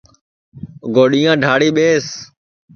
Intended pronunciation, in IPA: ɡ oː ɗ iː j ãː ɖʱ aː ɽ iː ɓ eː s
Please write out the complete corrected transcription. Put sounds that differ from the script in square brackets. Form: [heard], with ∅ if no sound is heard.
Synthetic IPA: ɡ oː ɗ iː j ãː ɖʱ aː ɽ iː ɓ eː s